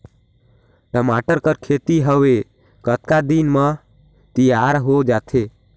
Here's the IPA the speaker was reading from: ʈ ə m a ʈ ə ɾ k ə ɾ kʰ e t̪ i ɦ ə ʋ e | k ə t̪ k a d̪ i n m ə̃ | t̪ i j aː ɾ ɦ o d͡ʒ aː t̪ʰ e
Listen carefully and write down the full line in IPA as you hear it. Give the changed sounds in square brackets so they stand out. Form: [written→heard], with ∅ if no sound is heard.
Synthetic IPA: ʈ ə m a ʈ ə ɾ k ə ɾ kʰ e t̪ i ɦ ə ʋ e | k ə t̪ k a d̪ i n m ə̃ | t̪ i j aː ɾ ɦ o d͡ʒ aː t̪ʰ e